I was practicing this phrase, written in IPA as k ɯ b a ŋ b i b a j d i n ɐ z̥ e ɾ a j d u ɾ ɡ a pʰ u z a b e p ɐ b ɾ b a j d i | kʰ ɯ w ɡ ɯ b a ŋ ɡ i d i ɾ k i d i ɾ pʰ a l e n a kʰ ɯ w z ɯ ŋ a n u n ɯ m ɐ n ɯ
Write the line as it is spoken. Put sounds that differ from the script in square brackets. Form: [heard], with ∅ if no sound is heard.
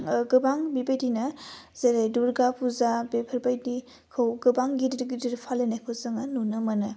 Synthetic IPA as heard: [ɡ] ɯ b a ŋ b i b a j d i n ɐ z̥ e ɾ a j d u ɾ ɡ a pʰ u z a b e [pʰ] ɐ [∅] ɾ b a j d i | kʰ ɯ w ɡ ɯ b a ŋ ɡ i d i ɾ [ɡ] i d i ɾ pʰ a l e n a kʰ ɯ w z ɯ ŋ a n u n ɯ m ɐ n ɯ